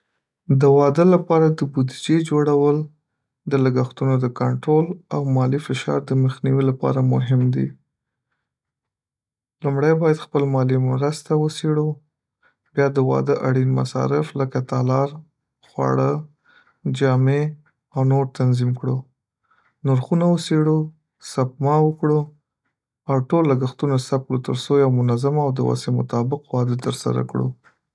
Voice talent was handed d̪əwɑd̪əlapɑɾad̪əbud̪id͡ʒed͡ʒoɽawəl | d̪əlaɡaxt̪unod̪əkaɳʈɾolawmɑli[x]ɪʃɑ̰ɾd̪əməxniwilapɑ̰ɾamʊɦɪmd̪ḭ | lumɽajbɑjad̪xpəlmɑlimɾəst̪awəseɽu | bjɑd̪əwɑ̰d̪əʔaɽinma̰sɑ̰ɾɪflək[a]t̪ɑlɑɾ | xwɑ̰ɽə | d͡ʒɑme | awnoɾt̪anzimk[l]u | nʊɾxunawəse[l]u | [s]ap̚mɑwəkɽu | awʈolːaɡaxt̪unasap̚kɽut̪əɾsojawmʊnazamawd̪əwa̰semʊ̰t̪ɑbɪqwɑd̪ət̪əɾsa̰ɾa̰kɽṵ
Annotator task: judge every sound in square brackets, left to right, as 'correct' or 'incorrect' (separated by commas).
incorrect, correct, incorrect, incorrect, correct